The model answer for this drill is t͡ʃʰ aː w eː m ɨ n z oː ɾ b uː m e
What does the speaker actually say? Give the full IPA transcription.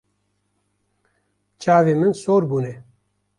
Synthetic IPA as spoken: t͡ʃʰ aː v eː m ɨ n s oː ɾ b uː n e